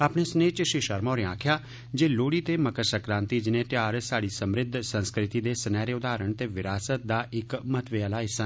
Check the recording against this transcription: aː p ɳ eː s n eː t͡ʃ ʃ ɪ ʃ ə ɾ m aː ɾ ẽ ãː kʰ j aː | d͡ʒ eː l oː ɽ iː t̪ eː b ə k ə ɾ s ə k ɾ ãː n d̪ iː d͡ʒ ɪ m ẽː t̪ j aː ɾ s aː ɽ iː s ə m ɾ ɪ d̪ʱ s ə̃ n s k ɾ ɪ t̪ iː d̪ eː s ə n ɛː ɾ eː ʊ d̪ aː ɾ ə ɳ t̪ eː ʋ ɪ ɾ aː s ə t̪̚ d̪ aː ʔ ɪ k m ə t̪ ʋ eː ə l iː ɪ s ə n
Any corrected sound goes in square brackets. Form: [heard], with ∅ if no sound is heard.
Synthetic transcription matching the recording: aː p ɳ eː s n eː t͡ʃ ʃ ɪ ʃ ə ɾ m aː ɾ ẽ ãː kʰ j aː | d͡ʒ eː l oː ɽ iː t̪ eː [m] ə k ə ɾ s ə k ɾ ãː n [t̪] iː d͡ʒ ɪ [n] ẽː t̪ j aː ɾ s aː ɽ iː s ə m ɾ ɪ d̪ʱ s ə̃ n s k ɾ ɪ t̪ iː d̪ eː s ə n ɛː ɾ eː ʊ d̪ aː ɾ ə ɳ t̪ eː ʋ ɪ ɾ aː s ə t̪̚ d̪ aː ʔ ɪ k m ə t̪ ʋ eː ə l [aː] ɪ s ə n

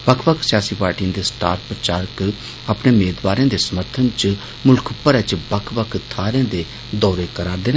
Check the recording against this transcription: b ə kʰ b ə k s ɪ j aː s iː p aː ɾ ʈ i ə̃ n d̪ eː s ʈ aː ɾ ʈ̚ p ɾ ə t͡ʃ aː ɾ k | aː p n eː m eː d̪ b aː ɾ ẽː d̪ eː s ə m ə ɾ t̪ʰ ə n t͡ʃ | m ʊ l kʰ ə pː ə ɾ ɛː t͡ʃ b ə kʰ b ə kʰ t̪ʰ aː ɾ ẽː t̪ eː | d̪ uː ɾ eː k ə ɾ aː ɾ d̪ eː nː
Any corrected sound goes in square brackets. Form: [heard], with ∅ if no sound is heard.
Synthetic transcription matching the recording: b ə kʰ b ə k s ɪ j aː s iː p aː ɾ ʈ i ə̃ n d̪ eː s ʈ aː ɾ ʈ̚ p ɾ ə t͡ʃ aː ɾ k | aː p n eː m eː d̪ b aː ɾ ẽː d̪ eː s ə m ə ɾ t̪ʰ ə n t͡ʃ | m ʊ l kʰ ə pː ə ɾ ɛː t͡ʃ b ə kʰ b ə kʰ t̪ʰ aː ɾ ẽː [d̪] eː | d̪ [ɔː] ɾ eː k ə ɾ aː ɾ d̪ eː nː

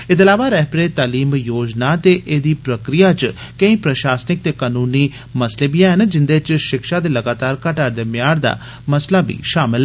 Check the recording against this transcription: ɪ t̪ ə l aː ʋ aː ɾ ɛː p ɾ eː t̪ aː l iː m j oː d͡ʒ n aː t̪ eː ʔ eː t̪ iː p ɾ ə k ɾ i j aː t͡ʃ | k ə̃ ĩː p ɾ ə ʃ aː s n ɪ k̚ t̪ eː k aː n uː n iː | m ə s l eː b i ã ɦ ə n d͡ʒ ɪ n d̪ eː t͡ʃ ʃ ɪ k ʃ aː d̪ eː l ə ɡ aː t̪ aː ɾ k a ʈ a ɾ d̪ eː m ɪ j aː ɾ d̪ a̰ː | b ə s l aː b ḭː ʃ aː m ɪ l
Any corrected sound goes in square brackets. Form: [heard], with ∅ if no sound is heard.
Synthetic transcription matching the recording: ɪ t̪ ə l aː ʋ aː ɾ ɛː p ɾ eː t̪ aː l iː m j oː d͡ʒ n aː t̪ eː ʔ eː [d̪] iː p ɾ ə k ɾ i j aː t͡ʃ | k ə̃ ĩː p ɾ ə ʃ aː s n ɪ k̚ t̪ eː k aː n uː n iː | m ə s l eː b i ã ɦ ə n d͡ʒ ɪ n d̪ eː t͡ʃ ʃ ɪ k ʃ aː d̪ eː l ə ɡ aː t̪ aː ɾ k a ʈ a ɾ d̪ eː m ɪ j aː ɾ d̪ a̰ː | [m] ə s l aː b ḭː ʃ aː m ɪ l

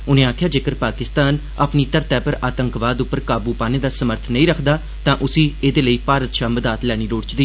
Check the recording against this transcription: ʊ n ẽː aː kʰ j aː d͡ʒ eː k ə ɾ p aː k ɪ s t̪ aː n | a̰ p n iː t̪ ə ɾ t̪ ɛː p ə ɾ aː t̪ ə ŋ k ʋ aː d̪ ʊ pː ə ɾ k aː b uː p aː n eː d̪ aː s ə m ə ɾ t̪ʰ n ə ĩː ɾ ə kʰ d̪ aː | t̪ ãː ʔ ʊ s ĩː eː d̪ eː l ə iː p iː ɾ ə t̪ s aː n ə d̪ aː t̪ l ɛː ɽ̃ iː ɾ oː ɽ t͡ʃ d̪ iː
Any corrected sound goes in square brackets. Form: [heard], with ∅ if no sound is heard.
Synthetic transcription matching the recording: ʊ n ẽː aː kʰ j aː d͡ʒ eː k ə ɾ p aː k ɪ s t̪ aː n | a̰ p n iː t̪ ə ɾ t̪ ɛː p ə ɾ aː t̪ ə ŋ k ʋ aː d̪ ʊ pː ə ɾ k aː b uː p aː n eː d̪ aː s ə m ə ɾ t̪ʰ n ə ĩː ɾ ə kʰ d̪ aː | t̪ ãː ʔ ʊ s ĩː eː d̪ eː l ə iː p [aː] ɾ ə t̪ [ʃ] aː [m] ə d̪ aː t̪ l ɛː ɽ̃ iː ɾ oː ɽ t͡ʃ d̪ iː

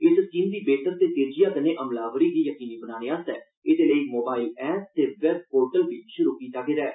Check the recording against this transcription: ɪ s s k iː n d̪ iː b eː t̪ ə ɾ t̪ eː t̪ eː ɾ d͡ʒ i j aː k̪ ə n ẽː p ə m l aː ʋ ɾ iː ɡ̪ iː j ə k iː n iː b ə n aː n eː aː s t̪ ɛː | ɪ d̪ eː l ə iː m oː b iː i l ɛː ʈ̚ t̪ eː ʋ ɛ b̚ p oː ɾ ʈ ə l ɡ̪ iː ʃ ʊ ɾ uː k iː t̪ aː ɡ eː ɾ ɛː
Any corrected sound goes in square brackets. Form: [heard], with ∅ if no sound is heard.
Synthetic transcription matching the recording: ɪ s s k iː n d̪ iː b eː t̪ ə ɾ t̪ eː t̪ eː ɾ d͡ʒ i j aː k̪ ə n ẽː [ʔ] ə m l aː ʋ ɾ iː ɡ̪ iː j ə k iː n iː b ə n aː n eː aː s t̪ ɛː | ɪ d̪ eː l ə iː m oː b [aː] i l ɛː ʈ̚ t̪ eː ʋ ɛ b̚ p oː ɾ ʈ ə l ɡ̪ iː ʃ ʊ ɾ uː k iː t̪ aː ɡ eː ɾ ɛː

